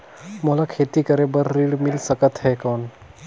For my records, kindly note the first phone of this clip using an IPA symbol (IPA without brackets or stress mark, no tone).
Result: m